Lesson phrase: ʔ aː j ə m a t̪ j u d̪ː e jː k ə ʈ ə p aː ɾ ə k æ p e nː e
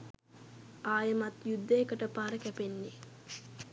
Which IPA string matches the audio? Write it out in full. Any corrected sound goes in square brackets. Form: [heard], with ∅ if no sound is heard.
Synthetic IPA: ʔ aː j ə m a t̪ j u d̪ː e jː k ə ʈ ə p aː ɾ ə k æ p e nː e